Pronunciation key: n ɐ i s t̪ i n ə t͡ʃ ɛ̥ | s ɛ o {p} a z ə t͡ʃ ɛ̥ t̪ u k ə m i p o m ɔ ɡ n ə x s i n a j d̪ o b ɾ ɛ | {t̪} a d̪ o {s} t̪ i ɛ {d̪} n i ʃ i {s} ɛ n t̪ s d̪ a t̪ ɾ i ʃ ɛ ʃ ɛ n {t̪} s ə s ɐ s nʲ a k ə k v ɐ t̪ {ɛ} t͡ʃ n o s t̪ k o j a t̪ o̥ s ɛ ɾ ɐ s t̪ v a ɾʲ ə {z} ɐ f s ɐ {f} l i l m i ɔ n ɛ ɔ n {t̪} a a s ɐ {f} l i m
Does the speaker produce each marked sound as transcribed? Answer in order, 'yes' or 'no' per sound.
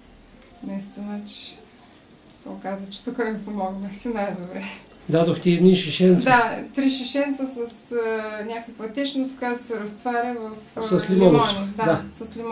no, no, no, yes, no, yes, yes, no, no, no, no

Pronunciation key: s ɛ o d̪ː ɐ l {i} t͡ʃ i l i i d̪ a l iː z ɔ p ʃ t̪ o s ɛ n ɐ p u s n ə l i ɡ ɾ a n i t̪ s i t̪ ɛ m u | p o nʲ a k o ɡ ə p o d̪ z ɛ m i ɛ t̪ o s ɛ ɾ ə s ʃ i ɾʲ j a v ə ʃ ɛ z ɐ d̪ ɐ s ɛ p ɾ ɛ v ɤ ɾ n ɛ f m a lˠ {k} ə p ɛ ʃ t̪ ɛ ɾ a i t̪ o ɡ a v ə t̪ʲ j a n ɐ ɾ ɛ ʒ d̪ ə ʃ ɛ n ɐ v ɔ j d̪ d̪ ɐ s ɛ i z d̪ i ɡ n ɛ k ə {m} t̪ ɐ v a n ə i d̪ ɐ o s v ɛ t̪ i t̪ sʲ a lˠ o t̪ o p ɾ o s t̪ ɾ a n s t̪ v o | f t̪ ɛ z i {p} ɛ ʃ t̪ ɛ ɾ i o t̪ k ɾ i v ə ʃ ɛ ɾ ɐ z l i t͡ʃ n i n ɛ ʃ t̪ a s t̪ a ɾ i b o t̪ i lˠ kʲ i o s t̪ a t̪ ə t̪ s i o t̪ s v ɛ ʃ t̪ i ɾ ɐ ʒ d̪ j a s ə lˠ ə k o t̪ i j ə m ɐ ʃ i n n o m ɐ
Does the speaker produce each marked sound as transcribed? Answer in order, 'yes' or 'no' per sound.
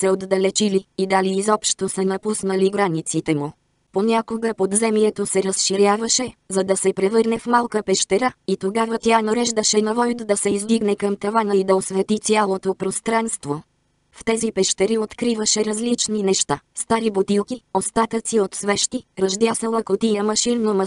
no, yes, yes, yes

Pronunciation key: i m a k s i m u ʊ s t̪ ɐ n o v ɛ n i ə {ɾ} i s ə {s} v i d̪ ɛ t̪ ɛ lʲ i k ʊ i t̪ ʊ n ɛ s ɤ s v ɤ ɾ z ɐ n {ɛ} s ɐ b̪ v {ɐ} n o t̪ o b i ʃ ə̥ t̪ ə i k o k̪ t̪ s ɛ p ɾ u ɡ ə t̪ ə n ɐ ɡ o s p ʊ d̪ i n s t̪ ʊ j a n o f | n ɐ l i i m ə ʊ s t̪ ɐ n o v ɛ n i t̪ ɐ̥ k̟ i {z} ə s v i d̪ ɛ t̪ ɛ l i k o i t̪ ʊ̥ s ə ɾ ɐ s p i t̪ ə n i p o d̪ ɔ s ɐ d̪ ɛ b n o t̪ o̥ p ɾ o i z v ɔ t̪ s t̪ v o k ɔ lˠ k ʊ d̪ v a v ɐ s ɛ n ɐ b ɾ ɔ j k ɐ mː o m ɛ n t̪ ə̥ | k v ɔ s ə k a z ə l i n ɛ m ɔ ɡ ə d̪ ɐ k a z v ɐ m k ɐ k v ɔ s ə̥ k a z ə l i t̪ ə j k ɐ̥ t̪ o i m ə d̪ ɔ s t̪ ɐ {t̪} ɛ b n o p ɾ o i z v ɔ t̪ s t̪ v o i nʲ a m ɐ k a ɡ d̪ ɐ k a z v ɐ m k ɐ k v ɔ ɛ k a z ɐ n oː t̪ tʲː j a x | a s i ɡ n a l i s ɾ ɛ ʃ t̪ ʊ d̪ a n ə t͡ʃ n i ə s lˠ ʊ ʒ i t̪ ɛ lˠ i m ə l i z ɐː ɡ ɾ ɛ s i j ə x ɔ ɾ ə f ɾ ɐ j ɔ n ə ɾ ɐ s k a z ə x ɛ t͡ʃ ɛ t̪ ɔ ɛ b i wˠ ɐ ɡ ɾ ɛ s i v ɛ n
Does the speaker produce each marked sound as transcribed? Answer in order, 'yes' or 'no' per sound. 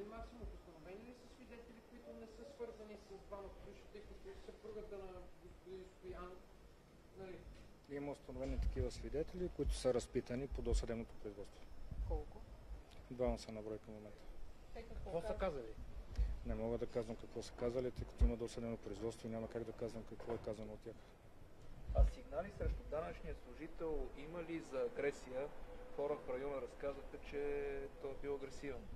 no, yes, no, no, no, no

